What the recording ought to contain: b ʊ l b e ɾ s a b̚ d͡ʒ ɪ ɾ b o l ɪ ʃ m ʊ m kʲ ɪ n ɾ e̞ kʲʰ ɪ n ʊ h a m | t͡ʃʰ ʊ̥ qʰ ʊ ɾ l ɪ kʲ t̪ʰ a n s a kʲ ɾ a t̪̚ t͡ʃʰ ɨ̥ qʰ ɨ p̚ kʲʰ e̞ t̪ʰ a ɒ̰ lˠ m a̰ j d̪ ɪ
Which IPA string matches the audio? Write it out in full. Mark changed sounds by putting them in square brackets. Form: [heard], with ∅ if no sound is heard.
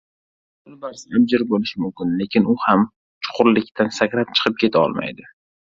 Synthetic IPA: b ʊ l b [a] ɾ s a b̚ d͡ʒ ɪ ɾ b o l ɪ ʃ m ʊ m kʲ ɪ n [l] e̞ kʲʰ ɪ n ʊ h a m | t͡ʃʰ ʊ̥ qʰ ʊ ɾ l ɪ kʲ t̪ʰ a n s a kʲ ɾ a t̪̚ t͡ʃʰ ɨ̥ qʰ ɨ p̚ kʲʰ e̞ t̪ʰ a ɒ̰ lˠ m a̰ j d̪ ɪ